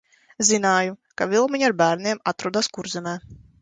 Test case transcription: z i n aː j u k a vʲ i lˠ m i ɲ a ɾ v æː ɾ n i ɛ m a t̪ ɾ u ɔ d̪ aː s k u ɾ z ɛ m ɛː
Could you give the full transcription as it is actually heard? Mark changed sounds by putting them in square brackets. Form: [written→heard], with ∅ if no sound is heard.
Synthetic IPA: z i n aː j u k a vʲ i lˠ m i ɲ a ɾ [v→b] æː ɾ n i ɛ m a t̪ ɾ u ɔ d̪ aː s k u ɾ z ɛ m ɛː

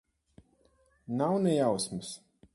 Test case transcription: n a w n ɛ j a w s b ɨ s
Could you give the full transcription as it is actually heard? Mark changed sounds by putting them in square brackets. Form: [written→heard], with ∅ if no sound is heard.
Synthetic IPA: n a w n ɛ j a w s [b→m] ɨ s

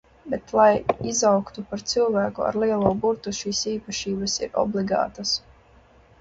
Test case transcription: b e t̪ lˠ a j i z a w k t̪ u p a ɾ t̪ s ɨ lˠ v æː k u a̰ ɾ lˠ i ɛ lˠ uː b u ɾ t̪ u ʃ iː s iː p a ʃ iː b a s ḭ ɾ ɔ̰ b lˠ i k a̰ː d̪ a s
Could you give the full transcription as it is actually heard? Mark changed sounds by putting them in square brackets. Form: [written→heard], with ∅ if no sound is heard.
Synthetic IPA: b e t̪ lˠ a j i z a w k t̪ u p a ɾ t̪ s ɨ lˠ v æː k u a̰ ɾ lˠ i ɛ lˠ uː b u ɾ t̪ u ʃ iː s iː p a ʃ iː b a s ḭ ɾ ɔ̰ b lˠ i [k→ɡ] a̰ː [d̪→t̪] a s

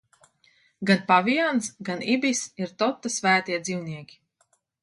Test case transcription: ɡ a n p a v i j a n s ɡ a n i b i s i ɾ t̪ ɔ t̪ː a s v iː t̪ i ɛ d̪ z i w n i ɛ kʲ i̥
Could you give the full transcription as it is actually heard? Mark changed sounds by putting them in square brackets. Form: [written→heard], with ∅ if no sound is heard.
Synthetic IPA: ɡ a n p a v i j a n s ɡ a n i b i s i ɾ t̪ ɔ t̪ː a s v [iː→æː] t̪ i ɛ d̪ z i w n i ɛ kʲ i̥

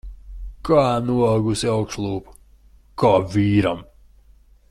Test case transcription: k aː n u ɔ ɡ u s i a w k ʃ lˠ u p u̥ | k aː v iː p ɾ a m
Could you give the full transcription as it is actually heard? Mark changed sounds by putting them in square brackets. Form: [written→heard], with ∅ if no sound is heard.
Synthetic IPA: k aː n u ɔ ɡ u s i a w k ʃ lˠ [u→uː] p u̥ | k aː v iː [p→∅] ɾ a m

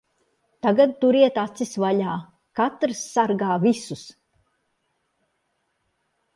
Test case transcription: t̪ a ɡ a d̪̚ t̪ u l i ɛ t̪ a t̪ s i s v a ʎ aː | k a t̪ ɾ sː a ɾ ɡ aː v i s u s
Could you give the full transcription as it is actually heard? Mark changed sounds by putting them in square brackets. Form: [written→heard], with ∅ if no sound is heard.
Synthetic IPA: t̪ a ɡ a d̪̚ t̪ u [l→ɾ] i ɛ t̪ a t̪ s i s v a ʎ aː | k a t̪ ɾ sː a ɾ ɡ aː v i s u s

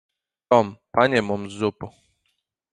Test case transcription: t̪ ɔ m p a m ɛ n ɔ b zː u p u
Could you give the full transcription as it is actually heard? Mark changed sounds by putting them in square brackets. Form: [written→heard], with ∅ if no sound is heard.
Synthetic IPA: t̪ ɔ m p a [m→ɲ] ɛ [n→m] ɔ [b→m] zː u p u

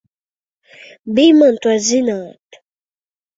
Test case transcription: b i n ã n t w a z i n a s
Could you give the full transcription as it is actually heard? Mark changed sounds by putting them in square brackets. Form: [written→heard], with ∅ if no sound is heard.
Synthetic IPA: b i [n→m] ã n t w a z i n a [s→t]

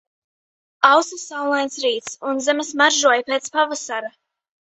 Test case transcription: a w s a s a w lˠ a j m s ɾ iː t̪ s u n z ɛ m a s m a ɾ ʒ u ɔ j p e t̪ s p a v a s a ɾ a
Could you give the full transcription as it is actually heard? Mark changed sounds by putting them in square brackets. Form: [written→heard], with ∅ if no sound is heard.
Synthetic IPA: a w s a s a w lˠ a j [m→n] s ɾ iː t̪ s u n z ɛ m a s m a ɾ ʒ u ɔ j p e t̪ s p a v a s a ɾ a

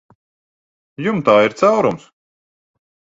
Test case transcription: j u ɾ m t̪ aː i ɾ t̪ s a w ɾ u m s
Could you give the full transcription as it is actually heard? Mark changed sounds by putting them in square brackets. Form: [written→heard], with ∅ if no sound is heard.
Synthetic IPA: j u [ɾ→∅] m t̪ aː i ɾ t̪ s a w ɾ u m s

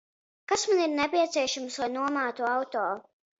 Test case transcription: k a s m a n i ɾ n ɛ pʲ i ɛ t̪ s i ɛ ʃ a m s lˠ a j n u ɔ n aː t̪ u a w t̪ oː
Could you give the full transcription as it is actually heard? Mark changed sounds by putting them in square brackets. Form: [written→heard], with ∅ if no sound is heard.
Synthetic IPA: k a s m a n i ɾ n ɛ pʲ i ɛ t̪ s i ɛ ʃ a m s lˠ a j n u ɔ [n→m] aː t̪ u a w t̪ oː

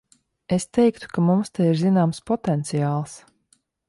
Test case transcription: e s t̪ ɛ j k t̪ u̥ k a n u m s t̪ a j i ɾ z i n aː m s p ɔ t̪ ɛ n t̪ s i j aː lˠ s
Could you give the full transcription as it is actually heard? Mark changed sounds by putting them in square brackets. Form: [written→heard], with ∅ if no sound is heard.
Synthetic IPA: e s t̪ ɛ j k t̪ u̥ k a [n→m] u m s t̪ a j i ɾ z i n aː m s p ɔ t̪ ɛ n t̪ s i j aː lˠ s

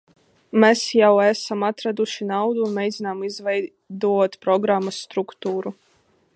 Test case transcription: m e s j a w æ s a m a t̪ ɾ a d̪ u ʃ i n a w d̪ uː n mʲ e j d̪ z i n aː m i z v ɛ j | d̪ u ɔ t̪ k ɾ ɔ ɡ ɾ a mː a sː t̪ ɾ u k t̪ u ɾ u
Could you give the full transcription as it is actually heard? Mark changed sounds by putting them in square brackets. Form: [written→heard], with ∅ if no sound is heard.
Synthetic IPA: m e s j a w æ s a m a t̪ ɾ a d̪ u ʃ i n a w d̪ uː n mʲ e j d̪ z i n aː m i z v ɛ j | d̪ u ɔ t̪ [k→p] ɾ ɔ ɡ ɾ a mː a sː t̪ ɾ u k t̪ [u→uː] ɾ u

